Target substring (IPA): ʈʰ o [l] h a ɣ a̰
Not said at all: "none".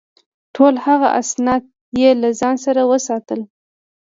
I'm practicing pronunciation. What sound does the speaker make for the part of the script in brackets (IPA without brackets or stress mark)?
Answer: l